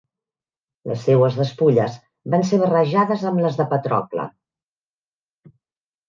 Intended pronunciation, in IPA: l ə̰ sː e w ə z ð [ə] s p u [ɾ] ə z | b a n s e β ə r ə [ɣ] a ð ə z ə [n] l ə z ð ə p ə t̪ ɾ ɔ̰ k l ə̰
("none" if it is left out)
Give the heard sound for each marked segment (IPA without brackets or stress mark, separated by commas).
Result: ə, ʎ, ʒ, m